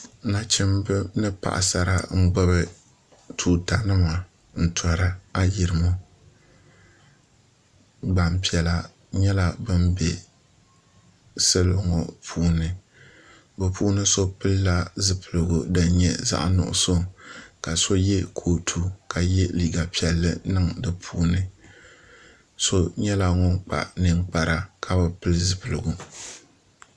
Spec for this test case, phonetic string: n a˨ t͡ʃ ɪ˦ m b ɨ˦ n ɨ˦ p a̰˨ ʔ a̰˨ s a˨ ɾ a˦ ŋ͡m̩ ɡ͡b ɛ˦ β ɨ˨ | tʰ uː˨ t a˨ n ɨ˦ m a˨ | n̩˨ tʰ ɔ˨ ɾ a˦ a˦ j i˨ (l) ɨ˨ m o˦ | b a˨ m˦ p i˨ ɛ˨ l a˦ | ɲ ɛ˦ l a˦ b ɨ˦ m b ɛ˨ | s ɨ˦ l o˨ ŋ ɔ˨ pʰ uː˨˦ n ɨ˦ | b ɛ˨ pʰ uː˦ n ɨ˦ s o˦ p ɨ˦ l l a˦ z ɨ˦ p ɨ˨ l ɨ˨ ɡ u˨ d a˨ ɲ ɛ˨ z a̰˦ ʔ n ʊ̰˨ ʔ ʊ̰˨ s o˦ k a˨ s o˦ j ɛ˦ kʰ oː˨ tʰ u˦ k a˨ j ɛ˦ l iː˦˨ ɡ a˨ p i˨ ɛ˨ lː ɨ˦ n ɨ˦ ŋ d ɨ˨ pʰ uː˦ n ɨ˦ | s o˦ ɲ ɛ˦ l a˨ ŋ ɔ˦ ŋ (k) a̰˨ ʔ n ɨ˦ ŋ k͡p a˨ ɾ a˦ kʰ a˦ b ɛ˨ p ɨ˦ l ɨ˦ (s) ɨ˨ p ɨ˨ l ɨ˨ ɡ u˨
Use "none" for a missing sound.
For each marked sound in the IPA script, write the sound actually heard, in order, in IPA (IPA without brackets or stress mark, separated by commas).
ɾ, k͡p, z